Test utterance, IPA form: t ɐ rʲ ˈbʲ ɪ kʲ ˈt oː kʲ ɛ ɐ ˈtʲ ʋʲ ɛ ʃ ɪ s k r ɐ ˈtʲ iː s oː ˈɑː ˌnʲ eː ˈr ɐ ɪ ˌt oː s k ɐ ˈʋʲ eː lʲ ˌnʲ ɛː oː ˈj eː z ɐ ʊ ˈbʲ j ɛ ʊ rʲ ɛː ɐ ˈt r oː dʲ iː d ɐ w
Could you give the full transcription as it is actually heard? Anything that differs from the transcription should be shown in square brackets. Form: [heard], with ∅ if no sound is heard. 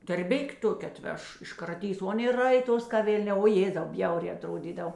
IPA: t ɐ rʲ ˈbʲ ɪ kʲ ˈt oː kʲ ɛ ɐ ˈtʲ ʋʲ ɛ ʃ ɪ [ʃ] k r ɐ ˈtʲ iː s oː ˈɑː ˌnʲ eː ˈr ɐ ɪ ˌt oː s k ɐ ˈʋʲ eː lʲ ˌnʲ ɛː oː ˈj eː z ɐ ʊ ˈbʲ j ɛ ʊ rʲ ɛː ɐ ˈt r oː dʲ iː d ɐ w